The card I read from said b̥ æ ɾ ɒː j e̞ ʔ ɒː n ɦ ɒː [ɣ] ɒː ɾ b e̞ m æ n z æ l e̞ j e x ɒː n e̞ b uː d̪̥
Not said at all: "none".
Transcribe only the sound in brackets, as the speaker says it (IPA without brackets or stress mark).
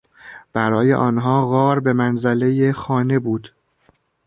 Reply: ɣ